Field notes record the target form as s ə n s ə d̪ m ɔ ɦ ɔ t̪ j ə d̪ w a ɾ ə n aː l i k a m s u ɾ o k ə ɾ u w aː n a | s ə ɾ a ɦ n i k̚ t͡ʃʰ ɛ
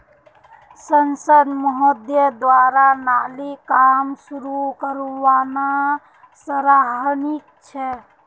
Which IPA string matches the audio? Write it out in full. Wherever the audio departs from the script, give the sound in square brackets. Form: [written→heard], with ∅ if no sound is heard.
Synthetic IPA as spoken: s ə n s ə d̪ m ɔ ɦ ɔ [t̪→d̪] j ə d̪ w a ɾ [ə→a] n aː l i k a m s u ɾ [o→u] k ə ɾ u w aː n a | s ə ɾ a ɦ n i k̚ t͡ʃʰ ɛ